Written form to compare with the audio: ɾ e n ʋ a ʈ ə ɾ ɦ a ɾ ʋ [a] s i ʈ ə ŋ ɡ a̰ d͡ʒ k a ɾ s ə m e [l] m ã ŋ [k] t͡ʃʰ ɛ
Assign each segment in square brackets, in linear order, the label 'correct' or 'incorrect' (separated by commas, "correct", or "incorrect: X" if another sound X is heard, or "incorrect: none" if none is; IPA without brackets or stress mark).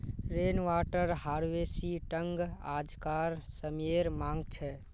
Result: incorrect: e, incorrect: ɾ, incorrect: ɡ